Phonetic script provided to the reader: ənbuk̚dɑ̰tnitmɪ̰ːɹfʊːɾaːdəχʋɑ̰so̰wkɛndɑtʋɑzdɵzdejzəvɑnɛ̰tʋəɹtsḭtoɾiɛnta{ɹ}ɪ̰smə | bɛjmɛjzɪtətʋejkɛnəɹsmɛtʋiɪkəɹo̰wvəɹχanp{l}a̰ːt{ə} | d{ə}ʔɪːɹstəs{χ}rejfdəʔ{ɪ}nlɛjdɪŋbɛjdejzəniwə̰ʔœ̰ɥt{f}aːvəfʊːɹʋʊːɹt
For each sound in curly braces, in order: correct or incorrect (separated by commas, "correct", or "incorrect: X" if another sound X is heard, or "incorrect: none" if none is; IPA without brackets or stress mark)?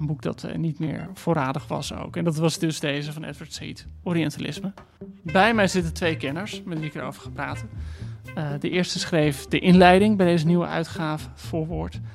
incorrect: l, incorrect: r, correct, correct, correct, correct, incorrect: χ